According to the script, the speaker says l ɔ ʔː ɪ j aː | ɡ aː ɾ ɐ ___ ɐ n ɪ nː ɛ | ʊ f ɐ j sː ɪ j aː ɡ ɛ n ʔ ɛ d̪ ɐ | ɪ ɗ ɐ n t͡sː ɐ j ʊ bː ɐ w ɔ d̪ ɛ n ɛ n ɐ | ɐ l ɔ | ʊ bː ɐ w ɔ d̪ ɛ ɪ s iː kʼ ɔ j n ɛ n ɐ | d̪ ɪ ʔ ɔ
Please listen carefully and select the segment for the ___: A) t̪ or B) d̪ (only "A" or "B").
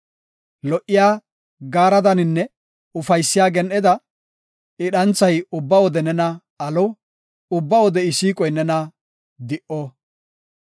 B